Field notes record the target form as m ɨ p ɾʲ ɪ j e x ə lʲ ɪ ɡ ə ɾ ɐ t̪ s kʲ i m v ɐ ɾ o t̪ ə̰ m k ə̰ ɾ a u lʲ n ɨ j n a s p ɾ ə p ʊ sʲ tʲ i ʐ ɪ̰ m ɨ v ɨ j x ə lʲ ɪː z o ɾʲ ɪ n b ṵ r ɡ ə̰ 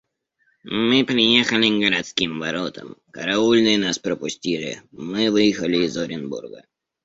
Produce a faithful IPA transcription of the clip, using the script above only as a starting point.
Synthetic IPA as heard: m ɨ p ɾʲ ɪ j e x ə lʲ ɪ ɡ ə ɾ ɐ t̪ s kʲ i m v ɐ ɾ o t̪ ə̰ m k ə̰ ɾ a u lʲ n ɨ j n a s p ɾ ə p ʊ sʲ tʲ i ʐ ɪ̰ m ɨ v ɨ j x ə lʲ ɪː z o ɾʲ ɪ n b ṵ r ɡ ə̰